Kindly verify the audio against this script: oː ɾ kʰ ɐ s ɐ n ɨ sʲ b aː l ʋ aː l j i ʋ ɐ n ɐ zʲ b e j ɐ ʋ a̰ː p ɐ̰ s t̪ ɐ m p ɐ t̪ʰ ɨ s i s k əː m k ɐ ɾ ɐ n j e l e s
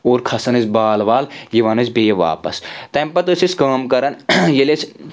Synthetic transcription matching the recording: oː ɾ kʰ ɐ s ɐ n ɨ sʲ b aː l ʋ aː l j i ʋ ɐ n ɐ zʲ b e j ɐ ʋ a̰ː p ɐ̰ s t̪ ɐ m p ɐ t̪ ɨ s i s k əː m k ɐ ɾ ɐ n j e l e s